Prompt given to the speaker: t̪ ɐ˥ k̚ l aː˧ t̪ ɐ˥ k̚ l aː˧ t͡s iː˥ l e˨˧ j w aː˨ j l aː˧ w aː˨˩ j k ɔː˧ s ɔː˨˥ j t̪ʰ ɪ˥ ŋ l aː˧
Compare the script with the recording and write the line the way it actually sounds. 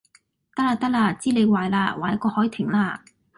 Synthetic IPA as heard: t̪ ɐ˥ k̚ l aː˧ t̪ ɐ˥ k̚ l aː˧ t͡s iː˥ l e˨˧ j w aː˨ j l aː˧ w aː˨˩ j k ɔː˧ h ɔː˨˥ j t̪ʰ ɪ˨˩ ŋ l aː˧